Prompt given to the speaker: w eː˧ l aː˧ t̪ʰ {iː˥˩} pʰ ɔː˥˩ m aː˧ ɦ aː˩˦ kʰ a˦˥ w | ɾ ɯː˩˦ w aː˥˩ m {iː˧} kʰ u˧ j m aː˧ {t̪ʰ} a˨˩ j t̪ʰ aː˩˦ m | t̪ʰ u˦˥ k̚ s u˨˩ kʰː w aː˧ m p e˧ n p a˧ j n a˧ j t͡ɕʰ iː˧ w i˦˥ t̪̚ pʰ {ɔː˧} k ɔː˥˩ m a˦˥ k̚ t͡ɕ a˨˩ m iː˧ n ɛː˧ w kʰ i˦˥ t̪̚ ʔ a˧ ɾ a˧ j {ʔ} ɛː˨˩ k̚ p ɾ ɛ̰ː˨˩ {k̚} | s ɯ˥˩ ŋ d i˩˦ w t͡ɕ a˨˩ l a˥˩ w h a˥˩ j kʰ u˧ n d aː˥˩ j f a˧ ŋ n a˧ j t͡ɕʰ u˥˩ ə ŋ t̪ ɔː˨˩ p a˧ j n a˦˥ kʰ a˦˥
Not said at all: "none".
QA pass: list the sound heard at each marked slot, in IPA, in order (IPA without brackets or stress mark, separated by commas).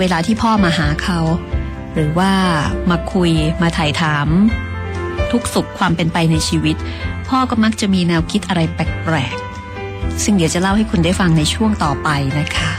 iː˥˩, aː˧, t̪ʰ, ɔː˥˩, p, k̚